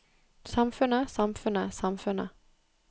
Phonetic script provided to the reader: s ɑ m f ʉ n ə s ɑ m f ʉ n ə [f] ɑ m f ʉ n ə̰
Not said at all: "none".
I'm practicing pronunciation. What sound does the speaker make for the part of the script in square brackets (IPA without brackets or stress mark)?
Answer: s